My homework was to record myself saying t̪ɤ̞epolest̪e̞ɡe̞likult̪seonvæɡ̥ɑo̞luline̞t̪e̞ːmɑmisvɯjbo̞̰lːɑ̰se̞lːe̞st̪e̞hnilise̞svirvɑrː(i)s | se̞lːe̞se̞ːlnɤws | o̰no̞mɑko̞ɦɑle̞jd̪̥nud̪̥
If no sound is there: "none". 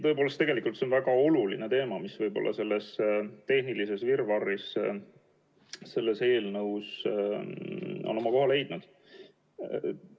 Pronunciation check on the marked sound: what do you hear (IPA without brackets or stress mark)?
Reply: i